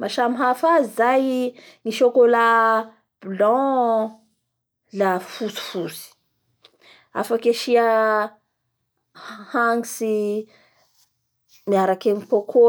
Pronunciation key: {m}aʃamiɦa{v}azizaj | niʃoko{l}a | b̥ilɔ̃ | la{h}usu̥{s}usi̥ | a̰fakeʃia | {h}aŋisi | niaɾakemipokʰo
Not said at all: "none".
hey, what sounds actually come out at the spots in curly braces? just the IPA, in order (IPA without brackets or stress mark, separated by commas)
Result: m, f, l, f, f, h